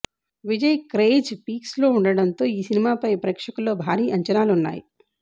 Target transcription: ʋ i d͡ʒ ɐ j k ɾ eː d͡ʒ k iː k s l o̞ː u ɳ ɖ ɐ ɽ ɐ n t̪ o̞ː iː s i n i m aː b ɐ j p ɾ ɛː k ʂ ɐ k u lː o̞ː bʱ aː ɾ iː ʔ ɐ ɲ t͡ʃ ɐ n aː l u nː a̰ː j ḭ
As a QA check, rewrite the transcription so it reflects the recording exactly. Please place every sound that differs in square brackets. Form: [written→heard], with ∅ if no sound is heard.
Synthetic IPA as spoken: ʋ i d͡ʒ ɐ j k ɾ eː d͡ʒ [k→p] iː k s l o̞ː u ɳ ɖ ɐ ɽ ɐ n t̪ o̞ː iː s i n i m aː [b→p] ɐ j p ɾ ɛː k ʂ ɐ k u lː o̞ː bʱ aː ɾ iː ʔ ɐ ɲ t͡ʃ ɐ n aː l u nː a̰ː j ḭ